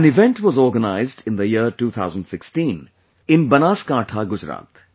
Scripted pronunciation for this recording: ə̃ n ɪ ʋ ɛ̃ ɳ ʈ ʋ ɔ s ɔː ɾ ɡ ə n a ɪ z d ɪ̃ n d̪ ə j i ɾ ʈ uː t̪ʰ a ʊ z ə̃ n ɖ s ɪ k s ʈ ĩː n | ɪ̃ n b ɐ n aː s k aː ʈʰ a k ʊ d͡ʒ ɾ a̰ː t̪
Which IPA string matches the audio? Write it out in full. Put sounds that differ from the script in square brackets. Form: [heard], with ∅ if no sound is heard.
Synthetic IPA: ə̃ n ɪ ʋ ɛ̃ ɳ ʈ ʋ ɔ [z] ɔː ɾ ɡ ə n a ɪ z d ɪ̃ n d̪ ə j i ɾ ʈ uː t̪ʰ a ʊ z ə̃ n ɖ s ɪ k s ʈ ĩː n | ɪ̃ n b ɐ n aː s k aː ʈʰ a [ɡ] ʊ d͡ʒ ɾ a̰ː t̪